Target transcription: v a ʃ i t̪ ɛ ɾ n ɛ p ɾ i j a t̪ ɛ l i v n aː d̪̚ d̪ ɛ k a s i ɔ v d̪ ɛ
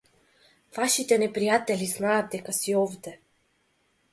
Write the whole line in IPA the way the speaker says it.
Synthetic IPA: v a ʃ i t̪ ɛ n ɛ p ɾ i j a t̪ ɛ l i z n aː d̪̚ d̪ ɛ k a s i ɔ v d̪ ɛ